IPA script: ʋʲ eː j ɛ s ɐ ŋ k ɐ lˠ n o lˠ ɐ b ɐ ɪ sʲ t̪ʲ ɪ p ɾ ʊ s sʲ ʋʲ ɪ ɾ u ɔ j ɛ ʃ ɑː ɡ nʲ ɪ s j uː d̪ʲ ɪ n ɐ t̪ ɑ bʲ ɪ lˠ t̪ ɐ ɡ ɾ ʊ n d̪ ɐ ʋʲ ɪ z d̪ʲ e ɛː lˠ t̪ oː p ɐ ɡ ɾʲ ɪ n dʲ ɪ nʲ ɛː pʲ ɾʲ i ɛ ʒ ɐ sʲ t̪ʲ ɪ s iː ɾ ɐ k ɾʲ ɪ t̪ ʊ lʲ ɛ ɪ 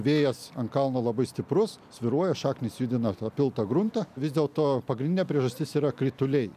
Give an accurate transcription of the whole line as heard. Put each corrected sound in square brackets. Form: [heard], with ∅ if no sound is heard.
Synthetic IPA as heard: ʋʲ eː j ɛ s ɐ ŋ k ɐ lˠ n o lˠ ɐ b ɐ ɪ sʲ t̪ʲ ɪ p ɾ ʊ s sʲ ʋʲ ɪ ɾ u ɔ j ɛ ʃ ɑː [k] nʲ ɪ s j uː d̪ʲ ɪ n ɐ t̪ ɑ [pʲ] ɪ lˠ t̪ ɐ ɡ ɾ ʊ n [t̪] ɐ ʋʲ ɪ z d̪ʲ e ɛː lˠ t̪ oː p ɐ ɡ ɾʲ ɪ n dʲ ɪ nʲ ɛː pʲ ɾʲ i ɛ ʒ ɐ sʲ t̪ʲ ɪ s iː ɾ ɐ k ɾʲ ɪ t̪ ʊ lʲ ɛ ɪ